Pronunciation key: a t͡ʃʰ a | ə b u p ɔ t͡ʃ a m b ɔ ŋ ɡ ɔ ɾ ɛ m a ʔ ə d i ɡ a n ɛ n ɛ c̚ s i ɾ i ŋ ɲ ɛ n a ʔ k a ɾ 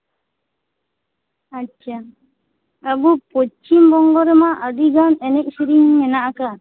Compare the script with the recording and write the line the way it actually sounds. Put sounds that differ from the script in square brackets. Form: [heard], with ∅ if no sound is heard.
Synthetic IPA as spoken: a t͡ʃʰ a | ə b u p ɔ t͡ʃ [i] m b ɔ ŋ ɡ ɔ ɾ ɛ m a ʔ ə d i ɡ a n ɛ n ɛ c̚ s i ɾ i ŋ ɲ ɛ n a ʔ k a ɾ